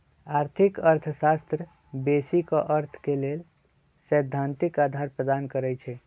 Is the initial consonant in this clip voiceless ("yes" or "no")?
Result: no